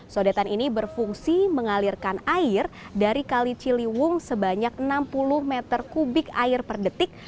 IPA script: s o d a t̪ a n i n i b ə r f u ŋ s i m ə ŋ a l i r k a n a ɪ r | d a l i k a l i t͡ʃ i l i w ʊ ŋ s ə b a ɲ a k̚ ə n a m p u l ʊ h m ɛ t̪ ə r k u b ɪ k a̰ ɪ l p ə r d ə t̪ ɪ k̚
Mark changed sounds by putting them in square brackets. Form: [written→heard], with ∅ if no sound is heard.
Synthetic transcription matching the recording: s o d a t̪ a n i n i b ə r f u ŋ s i m ə ŋ a l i r k a n a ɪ r | d a [l→ɾ] i k a l i t͡ʃ i l i w ʊ ŋ s ə b a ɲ a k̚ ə n a m p u l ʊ h m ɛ t̪ ə r k u b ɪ k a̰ ɪ [l→r] p ə r d ə t̪ ɪ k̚

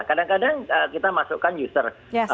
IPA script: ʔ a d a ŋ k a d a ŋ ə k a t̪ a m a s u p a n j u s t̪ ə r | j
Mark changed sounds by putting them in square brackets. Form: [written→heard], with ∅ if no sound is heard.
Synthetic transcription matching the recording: [ʔ→k] a d a ŋ k a d a ŋ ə k [a→i] t̪ a m a s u [p→k] a n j u s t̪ ə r | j

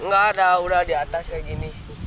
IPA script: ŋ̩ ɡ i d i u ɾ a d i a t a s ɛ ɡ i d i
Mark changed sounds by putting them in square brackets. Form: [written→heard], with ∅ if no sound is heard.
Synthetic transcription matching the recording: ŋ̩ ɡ [i→a] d [i→a] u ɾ a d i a t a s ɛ ɡ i [d→n] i

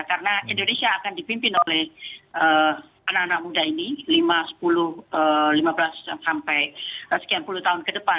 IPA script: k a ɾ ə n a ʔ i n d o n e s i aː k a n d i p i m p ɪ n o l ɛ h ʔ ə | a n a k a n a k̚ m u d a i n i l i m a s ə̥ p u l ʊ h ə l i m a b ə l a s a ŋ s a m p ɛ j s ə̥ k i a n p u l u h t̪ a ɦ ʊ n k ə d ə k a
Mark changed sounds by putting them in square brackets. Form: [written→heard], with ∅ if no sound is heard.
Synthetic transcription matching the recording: k a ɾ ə n a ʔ i n d o n e s i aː k a n d i p i m p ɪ n o l ɛ h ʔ ə | a n a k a n a k̚ m u d a i n i l i m a s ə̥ p u l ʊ h ə l i m a b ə l a s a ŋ s a m p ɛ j s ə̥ k i a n p u l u h t̪ a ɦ ʊ n k ə d ə [k→p] a

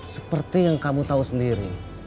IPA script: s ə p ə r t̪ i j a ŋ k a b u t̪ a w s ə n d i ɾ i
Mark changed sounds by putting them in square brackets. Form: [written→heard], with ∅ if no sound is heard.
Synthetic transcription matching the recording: s ə p ə r t̪ i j a ŋ k a [b→m] u t̪ a [w→u] s ə n d i ɾ i

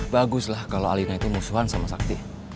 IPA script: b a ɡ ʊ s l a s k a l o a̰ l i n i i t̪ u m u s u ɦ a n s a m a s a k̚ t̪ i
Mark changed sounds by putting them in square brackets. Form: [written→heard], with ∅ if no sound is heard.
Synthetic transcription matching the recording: b a ɡ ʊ s l a [s→h] k a l o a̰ l i n [i→a] i t̪ u m u s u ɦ a n s a m a s a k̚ t̪ i

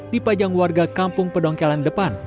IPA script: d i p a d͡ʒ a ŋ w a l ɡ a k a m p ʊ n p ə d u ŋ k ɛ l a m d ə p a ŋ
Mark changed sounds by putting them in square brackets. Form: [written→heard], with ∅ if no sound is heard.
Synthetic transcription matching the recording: d i p a d͡ʒ a ŋ w a [l→r] ɡ a k a m p ʊ [n→ŋ] p ə d [u→ɔ] ŋ k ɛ l a [m→n] d ə p a [ŋ→n]

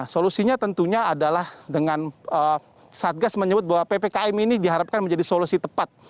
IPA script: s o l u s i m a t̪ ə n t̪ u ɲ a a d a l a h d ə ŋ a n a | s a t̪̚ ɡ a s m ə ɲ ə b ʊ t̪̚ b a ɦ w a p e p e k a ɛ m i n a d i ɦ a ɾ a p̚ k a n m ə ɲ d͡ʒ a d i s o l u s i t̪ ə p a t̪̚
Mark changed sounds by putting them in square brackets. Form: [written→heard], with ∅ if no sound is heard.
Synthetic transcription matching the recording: s o l u s i [m→ɲ] a t̪ ə n t̪ u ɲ a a d a l a h d ə ŋ a n [a→ə] | s a t̪̚ ɡ a s m ə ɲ ə b ʊ t̪̚ b a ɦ w a p e p e k a ɛ m i n [a→i] d i ɦ a ɾ a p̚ k a n m ə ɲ d͡ʒ a d i s o l u s i t̪ ə p a t̪̚

